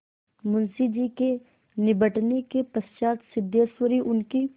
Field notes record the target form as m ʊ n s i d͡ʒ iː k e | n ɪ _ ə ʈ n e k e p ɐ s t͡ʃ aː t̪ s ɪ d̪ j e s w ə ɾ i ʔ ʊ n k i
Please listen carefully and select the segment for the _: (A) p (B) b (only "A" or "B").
B